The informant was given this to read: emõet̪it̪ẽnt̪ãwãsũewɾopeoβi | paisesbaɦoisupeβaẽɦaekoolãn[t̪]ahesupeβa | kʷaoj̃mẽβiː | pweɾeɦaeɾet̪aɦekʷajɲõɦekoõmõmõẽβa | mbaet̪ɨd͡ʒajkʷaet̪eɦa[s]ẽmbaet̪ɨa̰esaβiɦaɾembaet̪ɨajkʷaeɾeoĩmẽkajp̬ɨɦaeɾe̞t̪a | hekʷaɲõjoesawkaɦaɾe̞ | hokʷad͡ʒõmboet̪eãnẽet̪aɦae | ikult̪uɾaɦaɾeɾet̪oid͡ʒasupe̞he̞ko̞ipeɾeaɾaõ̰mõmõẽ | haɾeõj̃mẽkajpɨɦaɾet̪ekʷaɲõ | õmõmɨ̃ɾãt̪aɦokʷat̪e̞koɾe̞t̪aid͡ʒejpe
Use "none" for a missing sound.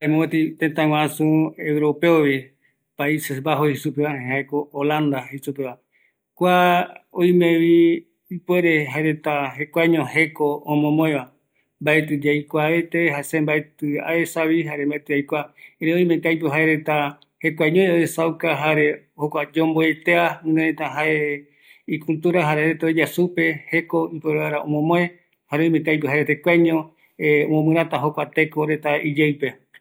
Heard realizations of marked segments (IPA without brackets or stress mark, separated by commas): d̪, s